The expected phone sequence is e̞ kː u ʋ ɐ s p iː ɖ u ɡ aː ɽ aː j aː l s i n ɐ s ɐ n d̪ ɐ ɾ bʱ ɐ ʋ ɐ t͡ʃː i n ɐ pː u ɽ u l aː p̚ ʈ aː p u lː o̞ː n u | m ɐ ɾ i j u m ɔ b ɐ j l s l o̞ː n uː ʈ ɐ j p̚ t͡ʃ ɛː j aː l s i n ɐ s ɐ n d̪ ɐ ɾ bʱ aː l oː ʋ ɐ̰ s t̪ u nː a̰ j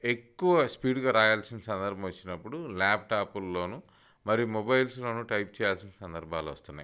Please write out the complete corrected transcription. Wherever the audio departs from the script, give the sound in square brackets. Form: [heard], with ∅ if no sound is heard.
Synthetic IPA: e̞ kː u ʋ ɐ s p iː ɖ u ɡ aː [ɾ] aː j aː l s i n ɐ s ɐ n d̪ ɐ ɾ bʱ ɐ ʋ ɐ t͡ʃː i n ɐ pː u ɽ u l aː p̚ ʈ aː p u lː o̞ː n u | m ɐ ɾ i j u m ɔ b ɐ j l s l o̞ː n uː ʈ ɐ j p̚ t͡ʃ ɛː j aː l s i n ɐ s ɐ n d̪ ɐ ɾ bʱ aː l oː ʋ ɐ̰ s t̪ u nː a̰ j